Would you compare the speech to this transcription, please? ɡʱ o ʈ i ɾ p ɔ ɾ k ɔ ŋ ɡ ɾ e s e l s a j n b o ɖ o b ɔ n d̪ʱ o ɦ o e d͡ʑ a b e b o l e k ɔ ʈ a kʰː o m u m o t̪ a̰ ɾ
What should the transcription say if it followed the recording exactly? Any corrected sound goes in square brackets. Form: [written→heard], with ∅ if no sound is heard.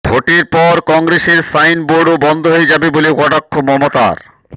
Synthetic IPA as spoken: [ɡʱ→bʱ] o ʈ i ɾ p ɔ ɾ k ɔ ŋ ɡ ɾ e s e [l→ɾ] s a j n b o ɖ o b ɔ n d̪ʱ o ɦ o e d͡ʑ a b e b o l e k ɔ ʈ a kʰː o m [u→ɔ] m o t̪ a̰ ɾ

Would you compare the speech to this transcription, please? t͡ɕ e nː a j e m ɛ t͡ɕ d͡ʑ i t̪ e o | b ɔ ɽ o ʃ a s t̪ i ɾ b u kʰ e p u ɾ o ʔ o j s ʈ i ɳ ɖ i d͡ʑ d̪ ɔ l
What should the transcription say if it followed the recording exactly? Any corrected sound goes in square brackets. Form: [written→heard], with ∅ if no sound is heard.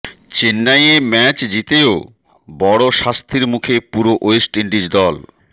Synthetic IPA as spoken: t͡ɕ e nː a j e m ɛ t͡ɕ d͡ʑ i t̪ e o | b ɔ ɽ o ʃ a s [t̪→t̪ʰ] i ɾ [b→m] u kʰ e p u ɾ o ʔ o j s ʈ i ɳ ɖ i d͡ʑ d̪ ɔ l

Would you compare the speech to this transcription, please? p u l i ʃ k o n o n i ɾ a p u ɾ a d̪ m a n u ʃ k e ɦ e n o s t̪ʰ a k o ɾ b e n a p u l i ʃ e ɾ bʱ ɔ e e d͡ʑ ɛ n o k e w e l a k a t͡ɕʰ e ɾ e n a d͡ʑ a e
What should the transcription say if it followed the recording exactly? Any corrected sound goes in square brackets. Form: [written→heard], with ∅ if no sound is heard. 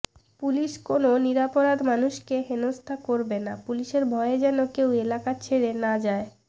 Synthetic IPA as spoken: p u l i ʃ k o n o n i ɾ a p [u→o] ɾ a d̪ m a n u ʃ k e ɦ e n o s t̪ʰ a k o ɾ b e n a p u l i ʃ e ɾ bʱ ɔ e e d͡ʑ ɛ n o k e w e l a k a t͡ɕʰ e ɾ e n a d͡ʑ a e

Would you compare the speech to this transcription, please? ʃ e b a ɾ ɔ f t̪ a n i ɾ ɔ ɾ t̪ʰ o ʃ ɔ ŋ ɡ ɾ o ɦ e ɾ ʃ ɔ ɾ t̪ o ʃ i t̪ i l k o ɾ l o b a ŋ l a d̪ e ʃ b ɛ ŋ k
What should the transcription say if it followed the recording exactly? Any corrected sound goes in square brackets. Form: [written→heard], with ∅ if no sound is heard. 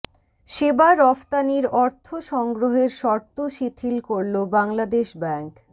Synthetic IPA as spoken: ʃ e b a ɾ ɔ f t̪ a n i ɾ ɔ ɾ t̪ʰ o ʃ ɔ ŋ ɡ ɾ o ɦ e ɾ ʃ ɔ ɾ t̪ o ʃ i [t̪→t̪ʰ] i l k o ɾ l o b a ŋ l a d̪ e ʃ b ɛ ŋ k

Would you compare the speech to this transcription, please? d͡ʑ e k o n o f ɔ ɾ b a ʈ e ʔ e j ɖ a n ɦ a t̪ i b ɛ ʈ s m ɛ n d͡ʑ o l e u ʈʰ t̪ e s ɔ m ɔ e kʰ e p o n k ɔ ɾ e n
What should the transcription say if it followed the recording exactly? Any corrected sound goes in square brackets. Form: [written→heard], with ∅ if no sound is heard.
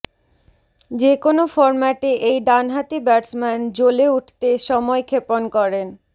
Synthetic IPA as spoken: d͡ʑ e k o n o f ɔ ɾ [b→m] a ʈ e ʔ e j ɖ a n ɦ a t̪ i b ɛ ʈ s m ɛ n d͡ʑ o l e u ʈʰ t̪ e [s→ʃ] ɔ m ɔ e kʰ e p o n k ɔ ɾ e n

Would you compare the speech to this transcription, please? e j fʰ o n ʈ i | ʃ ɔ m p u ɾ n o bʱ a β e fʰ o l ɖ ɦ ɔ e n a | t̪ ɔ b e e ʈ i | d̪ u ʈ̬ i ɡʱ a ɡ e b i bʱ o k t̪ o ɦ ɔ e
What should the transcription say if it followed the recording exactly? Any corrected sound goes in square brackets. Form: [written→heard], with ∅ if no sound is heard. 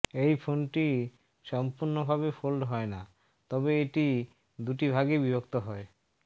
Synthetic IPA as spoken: e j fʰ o n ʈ i | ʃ ɔ m p u ɾ n o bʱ a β e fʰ o l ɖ ɦ ɔ e n a | t̪ ɔ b e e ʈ i | d̪ u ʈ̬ i [ɡʱ→bʱ] a ɡ e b i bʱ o k t̪ o ɦ ɔ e

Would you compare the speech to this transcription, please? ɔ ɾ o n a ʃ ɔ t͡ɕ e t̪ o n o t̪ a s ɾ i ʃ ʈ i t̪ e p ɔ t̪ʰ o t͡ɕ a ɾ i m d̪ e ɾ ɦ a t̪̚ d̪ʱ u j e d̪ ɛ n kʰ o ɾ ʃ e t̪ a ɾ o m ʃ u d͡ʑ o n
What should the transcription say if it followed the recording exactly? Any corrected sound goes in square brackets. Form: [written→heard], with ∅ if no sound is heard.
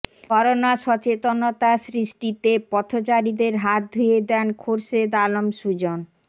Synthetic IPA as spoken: ɔ ɾ o n a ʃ ɔ t͡ɕ e t̪ o n o t̪ a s ɾ i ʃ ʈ i t̪ e p ɔ t̪ʰ o t͡ɕ a ɾ i [m→∅] d̪ e ɾ ɦ a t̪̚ d̪ʱ u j e d̪ ɛ n kʰ o ɾ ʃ e [t̪→d̪] a [ɾ→l] o m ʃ u d͡ʑ o n

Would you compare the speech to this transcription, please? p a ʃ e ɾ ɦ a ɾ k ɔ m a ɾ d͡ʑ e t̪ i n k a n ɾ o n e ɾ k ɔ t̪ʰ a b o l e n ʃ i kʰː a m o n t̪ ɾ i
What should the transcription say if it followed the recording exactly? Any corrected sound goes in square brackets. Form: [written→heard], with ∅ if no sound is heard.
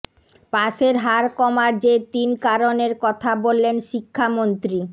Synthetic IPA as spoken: p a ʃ e ɾ ɦ a ɾ k ɔ m a ɾ d͡ʑ e t̪ i n k a [n→∅] ɾ o n e ɾ k ɔ t̪ʰ a b o [l→lː] e n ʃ i kʰː a m o n t̪ ɾ i

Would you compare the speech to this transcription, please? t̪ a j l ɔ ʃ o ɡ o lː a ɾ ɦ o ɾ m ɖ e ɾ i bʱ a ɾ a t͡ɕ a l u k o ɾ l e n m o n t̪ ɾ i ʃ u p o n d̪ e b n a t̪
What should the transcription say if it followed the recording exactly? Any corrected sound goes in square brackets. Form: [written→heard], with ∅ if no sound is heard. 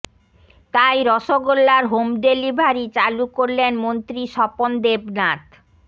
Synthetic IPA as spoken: t̪ a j [l→ɾ] ɔ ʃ o ɡ o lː a ɾ ɦ o [ɾ→∅] m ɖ e [ɾ→l] i bʱ a ɾ [a→i] t͡ɕ a l u k o ɾ l e n m o n t̪ ɾ i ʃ [u→ɔ] p o n d̪ e b n a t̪

